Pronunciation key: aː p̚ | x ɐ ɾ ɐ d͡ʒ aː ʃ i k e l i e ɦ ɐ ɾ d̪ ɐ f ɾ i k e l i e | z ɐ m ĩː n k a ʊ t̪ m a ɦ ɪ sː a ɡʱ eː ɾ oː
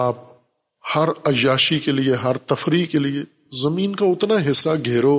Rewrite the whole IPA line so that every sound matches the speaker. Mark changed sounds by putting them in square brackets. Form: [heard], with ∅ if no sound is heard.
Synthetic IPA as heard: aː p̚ | [h] ɐ ɾ ɐ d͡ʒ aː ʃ i k e l i e ɦ ɐ ɾ [t̪] ɐ f ɾ i k e l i e | z ɐ m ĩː n k a ʊ t̪ [n] a ɦ ɪ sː a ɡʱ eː ɾ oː